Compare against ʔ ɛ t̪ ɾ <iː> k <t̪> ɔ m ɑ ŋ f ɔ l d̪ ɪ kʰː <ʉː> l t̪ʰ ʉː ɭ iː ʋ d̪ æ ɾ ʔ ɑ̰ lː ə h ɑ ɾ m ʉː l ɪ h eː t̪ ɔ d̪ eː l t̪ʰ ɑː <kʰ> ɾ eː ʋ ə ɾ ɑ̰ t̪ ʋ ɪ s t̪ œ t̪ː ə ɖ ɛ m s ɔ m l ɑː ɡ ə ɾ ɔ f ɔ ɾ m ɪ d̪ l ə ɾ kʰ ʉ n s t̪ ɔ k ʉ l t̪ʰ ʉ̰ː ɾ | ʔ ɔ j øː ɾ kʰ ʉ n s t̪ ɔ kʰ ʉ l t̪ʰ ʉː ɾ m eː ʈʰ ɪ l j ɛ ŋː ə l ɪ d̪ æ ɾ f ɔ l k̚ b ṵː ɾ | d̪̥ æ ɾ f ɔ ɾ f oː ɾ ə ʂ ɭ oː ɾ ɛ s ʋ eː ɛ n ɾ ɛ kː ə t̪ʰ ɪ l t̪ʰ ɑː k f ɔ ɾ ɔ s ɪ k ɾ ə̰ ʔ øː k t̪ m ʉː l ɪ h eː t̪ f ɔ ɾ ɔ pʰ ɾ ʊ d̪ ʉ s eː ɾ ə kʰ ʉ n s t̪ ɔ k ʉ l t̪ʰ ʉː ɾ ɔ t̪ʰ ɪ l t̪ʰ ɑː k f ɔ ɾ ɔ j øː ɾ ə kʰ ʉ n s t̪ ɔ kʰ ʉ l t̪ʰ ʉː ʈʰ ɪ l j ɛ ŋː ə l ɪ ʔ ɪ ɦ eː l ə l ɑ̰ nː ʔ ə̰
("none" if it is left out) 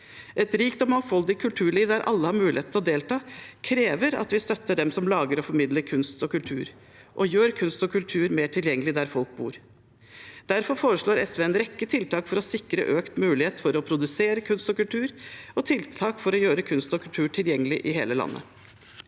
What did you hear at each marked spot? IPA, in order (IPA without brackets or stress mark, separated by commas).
iː, t̪, ʉ, kʰ